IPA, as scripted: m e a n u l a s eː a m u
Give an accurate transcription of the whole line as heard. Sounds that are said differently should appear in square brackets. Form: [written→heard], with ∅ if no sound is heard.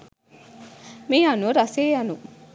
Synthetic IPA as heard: m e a n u [l→ɾ] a s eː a [m→n] u